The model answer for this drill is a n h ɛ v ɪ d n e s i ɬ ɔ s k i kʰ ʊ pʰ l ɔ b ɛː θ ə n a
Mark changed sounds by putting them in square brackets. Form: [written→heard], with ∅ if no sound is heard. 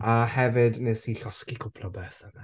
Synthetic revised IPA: a [n→∅] h ɛ v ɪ d n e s i ɬ ɔ s k i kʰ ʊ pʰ l ɔ b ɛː θ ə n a

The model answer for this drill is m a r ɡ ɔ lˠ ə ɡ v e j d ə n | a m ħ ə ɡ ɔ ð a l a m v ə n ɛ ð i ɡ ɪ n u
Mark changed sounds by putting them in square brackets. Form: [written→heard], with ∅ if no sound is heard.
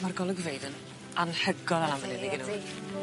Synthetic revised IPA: m a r ɡ ɔ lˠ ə ɡ v e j d ə n | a [m→n] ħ ə ɡ ɔ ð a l a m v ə n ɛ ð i ɡ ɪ n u

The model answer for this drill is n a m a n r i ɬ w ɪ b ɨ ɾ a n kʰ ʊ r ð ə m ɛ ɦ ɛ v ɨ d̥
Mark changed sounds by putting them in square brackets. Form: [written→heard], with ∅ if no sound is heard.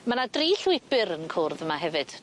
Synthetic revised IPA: [n→m] a [m→n] a [n→d] r i ɬ w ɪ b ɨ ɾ [a→ə] n kʰ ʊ r ð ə m [ɛ→a] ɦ ɛ v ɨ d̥

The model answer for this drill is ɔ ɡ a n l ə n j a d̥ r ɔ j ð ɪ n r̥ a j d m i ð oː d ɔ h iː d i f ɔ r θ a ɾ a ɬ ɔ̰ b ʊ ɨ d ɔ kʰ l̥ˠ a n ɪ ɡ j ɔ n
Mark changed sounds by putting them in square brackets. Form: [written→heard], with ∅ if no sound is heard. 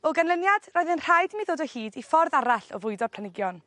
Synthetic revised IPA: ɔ ɡ a n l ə n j a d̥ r ɔ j ð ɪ n r̥ a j d m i ð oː d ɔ h iː d i f ɔ r [θ→ð] a ɾ a ɬ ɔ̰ [b→v] ʊ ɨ d ɔ [kʰ→pʰ] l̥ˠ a n ɪ ɡ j ɔ n

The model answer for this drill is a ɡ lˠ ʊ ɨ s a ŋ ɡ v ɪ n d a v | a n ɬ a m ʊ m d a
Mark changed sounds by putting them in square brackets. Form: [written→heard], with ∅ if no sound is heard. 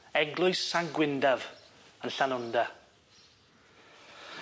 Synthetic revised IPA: [a→ɛ] ɡ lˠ ʊ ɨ s a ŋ ɡ [v→w] ɪ n d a v | [a→ə] n ɬ a [m→n] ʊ [m→n] d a

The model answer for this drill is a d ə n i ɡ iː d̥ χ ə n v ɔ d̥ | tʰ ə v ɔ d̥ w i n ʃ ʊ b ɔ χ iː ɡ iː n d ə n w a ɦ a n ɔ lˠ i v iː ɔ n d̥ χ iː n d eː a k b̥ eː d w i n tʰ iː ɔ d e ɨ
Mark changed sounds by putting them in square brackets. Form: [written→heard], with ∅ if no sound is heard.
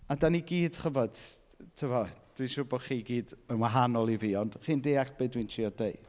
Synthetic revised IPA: a d [ə→a] n i ɡ iː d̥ χ ə [n→∅] v ɔ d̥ | tʰ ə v ɔ d̥ w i n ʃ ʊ b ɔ χ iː ɡ iː [n→∅] d ə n w a ɦ a n ɔ lˠ i v iː ɔ n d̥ χ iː n d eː a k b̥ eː d w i n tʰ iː ɔ d e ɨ

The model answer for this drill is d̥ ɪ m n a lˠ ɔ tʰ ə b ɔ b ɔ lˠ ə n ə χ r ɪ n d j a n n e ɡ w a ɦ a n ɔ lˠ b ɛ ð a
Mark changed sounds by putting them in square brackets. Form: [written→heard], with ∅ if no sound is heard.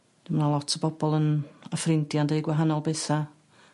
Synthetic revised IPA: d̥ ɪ m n a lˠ ɔ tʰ ə b ɔ b ɔ lˠ ə n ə [χ→f] r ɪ n d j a n [n→d] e ɡ w a ɦ a n ɔ lˠ b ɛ [ð→θ] a

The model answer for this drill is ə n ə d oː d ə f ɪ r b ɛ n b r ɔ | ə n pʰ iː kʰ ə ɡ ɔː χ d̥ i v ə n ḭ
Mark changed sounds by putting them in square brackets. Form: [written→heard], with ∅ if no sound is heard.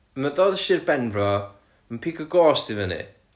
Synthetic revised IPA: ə [n→m] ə d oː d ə [f→ʃ] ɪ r b ɛ n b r ɔ | ə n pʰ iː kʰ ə ɡ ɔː [χ→s] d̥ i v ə n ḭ

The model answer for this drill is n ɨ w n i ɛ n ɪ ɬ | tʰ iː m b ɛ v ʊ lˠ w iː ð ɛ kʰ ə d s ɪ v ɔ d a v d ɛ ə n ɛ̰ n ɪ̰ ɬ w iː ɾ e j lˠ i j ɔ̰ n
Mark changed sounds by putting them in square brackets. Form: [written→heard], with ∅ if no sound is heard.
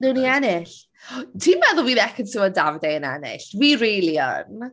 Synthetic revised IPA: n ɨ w n i ɛ n ɪ ɬ | tʰ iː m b ɛ [v→ð] ʊ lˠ w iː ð ɛ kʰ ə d s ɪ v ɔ d a v d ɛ ə n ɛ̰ n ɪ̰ ɬ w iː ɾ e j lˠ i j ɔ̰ n

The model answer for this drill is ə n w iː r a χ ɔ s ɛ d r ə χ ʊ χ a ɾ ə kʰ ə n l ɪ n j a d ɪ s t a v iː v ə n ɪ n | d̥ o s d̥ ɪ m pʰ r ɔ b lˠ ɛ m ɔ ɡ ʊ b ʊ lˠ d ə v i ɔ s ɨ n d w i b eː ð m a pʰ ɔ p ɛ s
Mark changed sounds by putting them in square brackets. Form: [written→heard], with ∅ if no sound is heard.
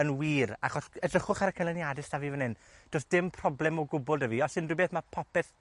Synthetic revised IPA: ə n w iː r a χ ɔ s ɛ d r ə χ ʊ χ a ɾ ə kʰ ə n l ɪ n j a d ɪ s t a v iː v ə n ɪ n | d̥ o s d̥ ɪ m pʰ r ɔ b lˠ ɛ m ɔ ɡ ʊ b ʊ lˠ d ə v i ɔ s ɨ n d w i b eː [ð→θ] m a pʰ ɔ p ɛ [s→θ]

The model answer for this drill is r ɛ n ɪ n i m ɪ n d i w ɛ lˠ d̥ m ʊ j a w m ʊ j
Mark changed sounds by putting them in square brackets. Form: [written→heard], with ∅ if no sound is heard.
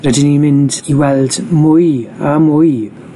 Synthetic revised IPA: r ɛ [n→d] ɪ n i m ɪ n d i w ɛ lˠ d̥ m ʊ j a [w→∅] m ʊ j

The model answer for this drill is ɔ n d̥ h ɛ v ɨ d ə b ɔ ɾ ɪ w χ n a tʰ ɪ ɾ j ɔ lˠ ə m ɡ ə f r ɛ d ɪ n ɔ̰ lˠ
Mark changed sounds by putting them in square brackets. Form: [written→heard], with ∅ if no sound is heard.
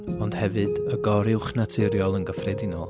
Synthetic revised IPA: ɔ n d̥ h ɛ v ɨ d ə [b→ɡ] ɔ ɾ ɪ w χ n a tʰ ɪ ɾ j ɔ lˠ ə [m→n] ɡ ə f r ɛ d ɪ n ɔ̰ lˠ

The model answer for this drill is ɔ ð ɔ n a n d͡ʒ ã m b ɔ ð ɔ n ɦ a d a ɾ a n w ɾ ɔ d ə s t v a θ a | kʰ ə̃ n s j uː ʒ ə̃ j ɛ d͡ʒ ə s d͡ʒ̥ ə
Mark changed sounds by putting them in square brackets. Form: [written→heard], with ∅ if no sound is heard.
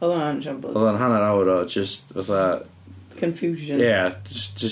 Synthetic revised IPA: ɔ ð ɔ n a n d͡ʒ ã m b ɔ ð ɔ n ɦ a [d→n] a ɾ a [n→∅] w ɾ ɔ [d→d͡ʒ] ə s t v a θ a | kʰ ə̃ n [s→f] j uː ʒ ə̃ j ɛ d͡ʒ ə s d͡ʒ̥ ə

